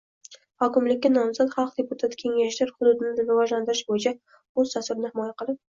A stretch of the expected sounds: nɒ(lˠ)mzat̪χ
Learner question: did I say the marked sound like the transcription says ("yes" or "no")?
no